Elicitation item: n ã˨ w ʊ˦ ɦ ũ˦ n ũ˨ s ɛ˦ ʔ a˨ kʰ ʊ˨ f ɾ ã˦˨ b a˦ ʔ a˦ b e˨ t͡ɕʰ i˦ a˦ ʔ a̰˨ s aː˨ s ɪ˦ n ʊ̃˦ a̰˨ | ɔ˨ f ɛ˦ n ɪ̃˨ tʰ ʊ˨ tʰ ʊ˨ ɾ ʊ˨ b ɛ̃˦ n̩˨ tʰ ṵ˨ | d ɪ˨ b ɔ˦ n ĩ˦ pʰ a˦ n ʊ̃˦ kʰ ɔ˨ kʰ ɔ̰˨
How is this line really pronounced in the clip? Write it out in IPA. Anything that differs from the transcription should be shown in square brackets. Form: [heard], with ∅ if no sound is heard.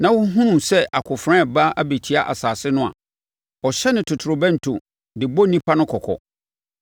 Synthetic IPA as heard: n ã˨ w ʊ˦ ɦ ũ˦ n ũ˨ s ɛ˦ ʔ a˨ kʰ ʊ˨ f ɾ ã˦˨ b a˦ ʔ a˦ b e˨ t͡ɕʰ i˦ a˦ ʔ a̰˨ s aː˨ s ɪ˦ n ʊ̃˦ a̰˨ | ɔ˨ [ɕ] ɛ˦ n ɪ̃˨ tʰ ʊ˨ tʰ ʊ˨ ɾ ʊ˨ b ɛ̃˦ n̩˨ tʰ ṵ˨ | d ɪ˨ b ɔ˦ n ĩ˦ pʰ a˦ n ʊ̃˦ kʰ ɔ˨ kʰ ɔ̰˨